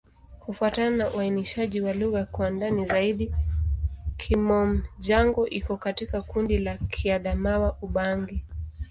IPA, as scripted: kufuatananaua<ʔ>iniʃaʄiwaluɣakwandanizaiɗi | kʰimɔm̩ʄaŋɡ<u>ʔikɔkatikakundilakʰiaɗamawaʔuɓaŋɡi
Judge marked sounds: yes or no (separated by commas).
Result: no, no